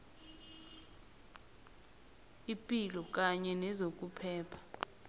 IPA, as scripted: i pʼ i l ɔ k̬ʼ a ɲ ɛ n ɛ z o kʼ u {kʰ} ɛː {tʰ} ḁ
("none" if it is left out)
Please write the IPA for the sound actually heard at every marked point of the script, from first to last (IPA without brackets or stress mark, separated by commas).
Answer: pʰ, pʰ